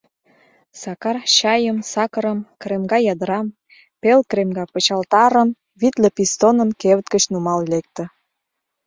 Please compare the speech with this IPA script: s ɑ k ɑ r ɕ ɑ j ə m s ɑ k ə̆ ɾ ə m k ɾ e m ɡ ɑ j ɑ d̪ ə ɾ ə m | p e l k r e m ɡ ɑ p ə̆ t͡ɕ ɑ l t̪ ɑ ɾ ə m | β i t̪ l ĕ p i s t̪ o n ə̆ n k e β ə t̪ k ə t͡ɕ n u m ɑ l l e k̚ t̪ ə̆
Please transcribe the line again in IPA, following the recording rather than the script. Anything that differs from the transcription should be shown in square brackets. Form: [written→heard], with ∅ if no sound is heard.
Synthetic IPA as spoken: s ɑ k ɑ r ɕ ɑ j ə m s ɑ k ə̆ ɾ ə m k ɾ e m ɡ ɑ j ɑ d̪ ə ɾ [ə→ɑ] m | p e l k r e m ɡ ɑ p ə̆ t͡ɕ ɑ l t̪ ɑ ɾ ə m | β i t̪ l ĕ p i s t̪ o n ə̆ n k e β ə t̪ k ə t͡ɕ n u m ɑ l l e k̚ t̪ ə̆